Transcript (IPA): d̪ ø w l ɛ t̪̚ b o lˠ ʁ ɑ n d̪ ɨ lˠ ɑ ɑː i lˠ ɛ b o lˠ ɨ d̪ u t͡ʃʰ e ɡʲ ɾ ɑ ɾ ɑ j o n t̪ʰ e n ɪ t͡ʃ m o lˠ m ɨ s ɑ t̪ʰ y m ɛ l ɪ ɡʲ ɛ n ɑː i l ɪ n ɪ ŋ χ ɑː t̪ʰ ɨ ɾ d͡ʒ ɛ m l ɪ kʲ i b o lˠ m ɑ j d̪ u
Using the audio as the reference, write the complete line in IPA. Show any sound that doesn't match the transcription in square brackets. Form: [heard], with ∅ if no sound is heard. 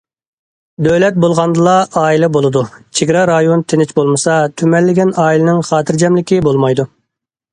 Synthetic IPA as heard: d̪ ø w l ɛ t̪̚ b o lˠ ʁ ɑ n d̪ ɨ lˠ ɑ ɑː i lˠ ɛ b o lˠ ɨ d̪ u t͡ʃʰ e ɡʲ ɾ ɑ ɾ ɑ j o n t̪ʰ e n ɪ t͡ʃ [b] o lˠ m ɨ s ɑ t̪ʰ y m ɛ [lː] ɪ ɡʲ ɛ n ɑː i l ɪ n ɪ ŋ χ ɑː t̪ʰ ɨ ɾ d͡ʒ ɛ m l ɪ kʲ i b o lˠ m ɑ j d̪ u